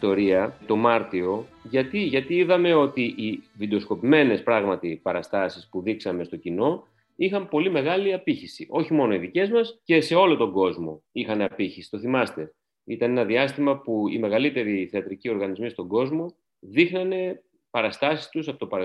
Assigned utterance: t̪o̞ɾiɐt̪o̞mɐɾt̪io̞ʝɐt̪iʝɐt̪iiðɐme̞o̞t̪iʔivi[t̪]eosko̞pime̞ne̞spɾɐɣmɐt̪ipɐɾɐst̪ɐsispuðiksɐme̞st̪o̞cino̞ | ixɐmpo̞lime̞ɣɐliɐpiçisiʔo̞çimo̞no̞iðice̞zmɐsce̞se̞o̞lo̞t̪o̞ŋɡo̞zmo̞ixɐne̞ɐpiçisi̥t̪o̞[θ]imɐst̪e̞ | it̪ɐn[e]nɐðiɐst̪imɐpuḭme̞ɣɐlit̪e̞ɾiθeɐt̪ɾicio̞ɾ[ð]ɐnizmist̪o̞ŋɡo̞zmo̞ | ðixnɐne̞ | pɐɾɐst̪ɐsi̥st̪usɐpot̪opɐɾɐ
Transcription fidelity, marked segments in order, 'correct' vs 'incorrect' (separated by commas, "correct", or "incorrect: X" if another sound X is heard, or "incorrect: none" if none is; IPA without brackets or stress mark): incorrect: d̪, correct, correct, incorrect: ɣ